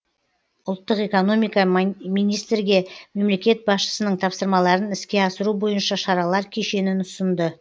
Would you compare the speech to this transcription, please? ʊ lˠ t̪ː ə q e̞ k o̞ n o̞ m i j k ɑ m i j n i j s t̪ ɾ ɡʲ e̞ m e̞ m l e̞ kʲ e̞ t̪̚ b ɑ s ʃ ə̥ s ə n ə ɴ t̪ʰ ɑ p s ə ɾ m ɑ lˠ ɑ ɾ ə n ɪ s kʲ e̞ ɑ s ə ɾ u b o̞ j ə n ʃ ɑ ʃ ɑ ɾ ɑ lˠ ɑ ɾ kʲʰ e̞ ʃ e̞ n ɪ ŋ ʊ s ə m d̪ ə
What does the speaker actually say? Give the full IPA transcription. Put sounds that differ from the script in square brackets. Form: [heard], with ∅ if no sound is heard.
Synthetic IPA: ʊ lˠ t̪ː ə q e̞ k o̞ n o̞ m i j k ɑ m i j n i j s t̪ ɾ ɡʲ e̞ m e̞ m l e̞ kʲ e̞ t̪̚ b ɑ s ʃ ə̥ s ə n ə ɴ t̪ʰ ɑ p s ə ɾ m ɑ lˠ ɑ ɾ ə n ɪ s kʲ e̞ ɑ s ə ɾ u b o̞ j ə n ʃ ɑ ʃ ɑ ɾ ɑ lˠ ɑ ɾ kʲʰ e̞ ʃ e̞ n ɪ [n] ʊ s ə [n] d̪ ə